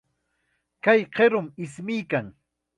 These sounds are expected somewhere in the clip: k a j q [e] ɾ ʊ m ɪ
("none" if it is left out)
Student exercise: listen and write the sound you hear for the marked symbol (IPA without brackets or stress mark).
e